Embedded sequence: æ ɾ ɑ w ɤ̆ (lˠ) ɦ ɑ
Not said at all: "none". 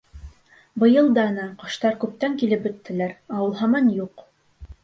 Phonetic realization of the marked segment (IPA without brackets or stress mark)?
lˠ